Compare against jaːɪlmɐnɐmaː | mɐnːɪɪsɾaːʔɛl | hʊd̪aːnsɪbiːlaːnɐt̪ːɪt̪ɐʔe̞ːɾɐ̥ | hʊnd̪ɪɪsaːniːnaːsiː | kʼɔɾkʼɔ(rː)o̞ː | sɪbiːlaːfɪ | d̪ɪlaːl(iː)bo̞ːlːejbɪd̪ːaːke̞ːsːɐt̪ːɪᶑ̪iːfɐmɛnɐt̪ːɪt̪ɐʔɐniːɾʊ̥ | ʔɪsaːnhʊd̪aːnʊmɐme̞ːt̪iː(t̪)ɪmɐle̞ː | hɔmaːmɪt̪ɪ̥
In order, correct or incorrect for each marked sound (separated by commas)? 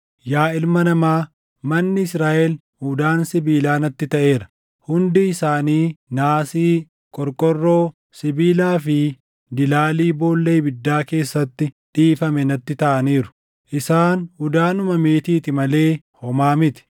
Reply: correct, correct, correct